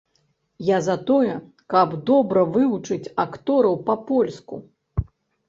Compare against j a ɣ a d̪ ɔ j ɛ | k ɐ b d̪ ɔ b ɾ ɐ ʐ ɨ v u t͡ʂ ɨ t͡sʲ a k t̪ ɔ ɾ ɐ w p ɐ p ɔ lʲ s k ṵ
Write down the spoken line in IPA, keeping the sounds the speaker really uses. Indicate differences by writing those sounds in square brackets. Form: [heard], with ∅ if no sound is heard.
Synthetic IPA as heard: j a [z] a [t̪] ɔ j ɛ | k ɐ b d̪ ɔ b ɾ ɐ [v] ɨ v u t͡ʂ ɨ t͡sʲ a k t̪ ɔ ɾ ɐ w p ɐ p ɔ lʲ s k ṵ